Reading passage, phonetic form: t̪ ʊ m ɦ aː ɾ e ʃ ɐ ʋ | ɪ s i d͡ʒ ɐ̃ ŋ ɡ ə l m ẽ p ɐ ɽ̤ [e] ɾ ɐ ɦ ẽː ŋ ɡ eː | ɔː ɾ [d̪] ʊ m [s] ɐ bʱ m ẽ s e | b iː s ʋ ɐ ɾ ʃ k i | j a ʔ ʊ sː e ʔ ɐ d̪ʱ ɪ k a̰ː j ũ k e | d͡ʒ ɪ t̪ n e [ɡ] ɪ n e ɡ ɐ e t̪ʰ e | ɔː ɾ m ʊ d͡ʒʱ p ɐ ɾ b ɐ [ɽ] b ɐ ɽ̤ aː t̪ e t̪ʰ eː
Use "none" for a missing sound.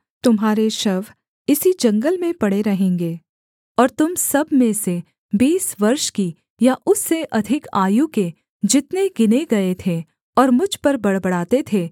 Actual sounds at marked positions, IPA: e, t̪, s, ɡ, ɽ

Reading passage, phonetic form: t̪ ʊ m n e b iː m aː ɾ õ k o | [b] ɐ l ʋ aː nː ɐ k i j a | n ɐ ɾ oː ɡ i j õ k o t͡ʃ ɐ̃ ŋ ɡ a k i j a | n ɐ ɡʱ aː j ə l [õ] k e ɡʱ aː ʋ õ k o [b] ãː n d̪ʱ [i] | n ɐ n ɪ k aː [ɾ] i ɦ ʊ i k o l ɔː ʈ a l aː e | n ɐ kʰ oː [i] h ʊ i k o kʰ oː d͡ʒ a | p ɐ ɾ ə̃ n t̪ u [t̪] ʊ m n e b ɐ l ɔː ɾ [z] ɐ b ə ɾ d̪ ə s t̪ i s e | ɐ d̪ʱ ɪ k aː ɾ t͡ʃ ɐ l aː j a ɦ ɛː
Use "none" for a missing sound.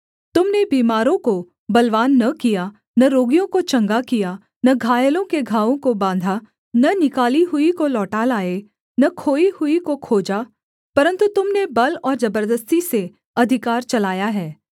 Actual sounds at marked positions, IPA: b, õ, b, a, l, i, t̪, z

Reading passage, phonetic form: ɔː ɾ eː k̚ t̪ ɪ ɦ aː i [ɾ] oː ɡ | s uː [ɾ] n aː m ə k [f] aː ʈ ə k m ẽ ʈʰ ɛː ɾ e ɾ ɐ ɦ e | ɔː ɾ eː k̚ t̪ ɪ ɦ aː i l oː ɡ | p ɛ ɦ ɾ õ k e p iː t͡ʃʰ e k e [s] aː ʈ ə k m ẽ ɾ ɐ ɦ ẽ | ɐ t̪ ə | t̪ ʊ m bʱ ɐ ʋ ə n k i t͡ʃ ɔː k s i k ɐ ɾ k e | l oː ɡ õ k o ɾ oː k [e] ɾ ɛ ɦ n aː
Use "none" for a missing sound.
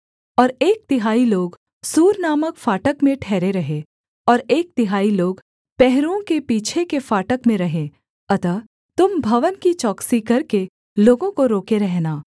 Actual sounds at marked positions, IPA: l, ɾ, f, f, e

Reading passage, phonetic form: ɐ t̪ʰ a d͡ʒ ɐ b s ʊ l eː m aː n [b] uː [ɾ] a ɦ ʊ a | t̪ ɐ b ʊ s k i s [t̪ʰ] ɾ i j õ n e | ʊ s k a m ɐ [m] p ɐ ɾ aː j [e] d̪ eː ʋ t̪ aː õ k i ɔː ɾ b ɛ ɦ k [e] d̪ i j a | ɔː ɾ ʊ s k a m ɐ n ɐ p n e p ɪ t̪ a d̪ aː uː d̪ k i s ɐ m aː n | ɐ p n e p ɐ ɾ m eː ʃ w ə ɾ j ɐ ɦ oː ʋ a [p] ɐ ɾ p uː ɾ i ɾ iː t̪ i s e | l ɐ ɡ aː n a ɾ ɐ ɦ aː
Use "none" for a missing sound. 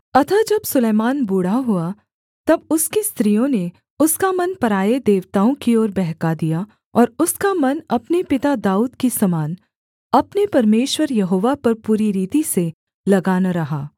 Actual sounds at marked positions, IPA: b, ɽ, t̪, n, e, a, p

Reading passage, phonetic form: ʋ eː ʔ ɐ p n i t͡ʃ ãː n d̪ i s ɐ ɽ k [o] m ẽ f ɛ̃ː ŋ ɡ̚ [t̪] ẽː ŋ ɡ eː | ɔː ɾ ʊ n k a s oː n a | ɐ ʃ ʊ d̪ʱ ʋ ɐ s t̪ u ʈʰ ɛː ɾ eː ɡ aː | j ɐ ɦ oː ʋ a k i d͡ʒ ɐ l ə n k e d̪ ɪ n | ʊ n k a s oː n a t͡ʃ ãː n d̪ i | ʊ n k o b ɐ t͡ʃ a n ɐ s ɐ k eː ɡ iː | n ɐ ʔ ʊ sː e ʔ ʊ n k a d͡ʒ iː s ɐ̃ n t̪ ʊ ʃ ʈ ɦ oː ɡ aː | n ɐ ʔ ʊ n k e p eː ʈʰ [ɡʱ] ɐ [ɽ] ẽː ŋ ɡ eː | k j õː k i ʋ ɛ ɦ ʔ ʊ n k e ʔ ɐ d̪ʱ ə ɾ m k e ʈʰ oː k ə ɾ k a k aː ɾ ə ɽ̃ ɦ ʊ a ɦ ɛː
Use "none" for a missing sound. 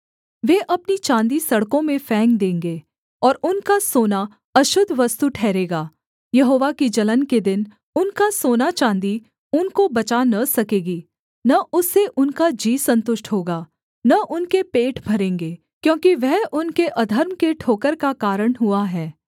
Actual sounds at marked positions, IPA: õ, d̪, bʱ, ɾ

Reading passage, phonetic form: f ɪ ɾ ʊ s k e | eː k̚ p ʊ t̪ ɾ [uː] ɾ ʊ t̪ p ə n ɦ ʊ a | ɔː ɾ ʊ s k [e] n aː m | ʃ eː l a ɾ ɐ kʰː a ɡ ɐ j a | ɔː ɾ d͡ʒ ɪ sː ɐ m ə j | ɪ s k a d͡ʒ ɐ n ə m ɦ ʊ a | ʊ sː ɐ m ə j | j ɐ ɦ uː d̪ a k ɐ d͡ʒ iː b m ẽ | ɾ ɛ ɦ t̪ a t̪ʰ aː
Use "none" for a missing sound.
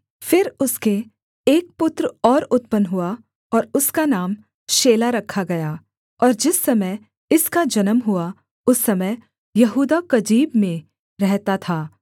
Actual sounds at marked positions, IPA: ɔː, a

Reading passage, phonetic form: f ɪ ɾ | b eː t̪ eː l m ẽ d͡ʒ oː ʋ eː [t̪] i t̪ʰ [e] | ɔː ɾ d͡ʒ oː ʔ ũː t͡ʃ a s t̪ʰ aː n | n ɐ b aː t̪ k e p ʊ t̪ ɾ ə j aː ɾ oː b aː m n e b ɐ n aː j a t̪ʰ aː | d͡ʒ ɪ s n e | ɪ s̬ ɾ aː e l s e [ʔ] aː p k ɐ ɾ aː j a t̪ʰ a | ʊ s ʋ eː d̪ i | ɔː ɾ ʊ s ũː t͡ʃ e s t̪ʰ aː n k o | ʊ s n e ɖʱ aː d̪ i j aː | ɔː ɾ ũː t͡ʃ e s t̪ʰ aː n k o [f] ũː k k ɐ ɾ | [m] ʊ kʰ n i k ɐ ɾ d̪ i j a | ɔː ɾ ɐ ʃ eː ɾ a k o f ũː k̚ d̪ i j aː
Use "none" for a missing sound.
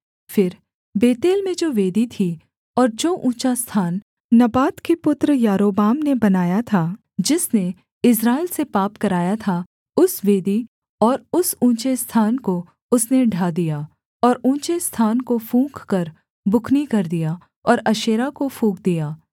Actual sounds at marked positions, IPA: d̪, i, p, f, b

